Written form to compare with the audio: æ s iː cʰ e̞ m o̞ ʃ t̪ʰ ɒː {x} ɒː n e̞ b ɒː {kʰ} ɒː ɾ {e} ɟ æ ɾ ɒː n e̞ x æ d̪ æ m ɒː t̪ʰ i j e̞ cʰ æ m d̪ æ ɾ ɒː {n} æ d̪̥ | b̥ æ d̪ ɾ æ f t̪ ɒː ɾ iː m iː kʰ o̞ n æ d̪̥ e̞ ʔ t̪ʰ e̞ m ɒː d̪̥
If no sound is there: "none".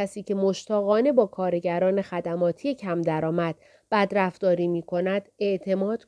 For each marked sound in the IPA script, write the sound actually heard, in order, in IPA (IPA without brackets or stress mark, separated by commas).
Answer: ɣ, kʰ, e, m